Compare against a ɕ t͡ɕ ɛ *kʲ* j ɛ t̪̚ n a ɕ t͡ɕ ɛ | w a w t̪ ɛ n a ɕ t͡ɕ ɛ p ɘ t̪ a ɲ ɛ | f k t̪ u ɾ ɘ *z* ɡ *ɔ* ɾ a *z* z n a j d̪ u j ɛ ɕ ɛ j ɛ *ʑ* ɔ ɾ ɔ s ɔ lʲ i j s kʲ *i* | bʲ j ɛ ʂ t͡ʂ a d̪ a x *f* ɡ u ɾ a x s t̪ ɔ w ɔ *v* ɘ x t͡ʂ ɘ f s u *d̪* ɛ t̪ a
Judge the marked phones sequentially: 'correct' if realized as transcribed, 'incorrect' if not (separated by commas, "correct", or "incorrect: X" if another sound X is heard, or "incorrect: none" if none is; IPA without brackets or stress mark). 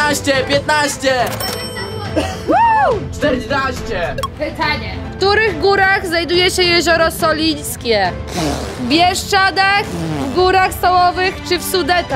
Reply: incorrect: pʲ, incorrect: ɣ, incorrect: u, incorrect: ɣ, correct, incorrect: ɛ, incorrect: v, correct, correct